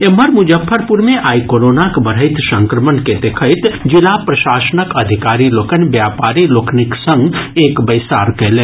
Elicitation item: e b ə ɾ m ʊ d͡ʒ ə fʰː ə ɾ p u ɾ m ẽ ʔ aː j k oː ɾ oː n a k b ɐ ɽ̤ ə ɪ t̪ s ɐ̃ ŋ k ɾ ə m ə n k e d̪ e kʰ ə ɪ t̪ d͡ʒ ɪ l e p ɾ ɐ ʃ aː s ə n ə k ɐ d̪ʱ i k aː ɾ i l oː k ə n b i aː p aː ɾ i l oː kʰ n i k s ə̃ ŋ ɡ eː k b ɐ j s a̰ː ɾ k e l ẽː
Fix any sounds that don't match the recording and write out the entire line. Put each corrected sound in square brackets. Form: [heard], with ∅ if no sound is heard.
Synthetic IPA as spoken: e [m] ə ɾ m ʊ d͡ʒ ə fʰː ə ɾ p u ɾ m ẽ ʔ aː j k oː ɾ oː n a k b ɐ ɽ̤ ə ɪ t̪ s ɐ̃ ŋ k ɾ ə m ə n k e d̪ e kʰ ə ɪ t̪ d͡ʒ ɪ l [a] p ɾ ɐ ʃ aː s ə n ə k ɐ d̪ʱ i k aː ɾ i l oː k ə n b [j] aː p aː ɾ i l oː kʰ n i k s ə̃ ŋ ɡ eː k b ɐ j s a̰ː ɾ k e l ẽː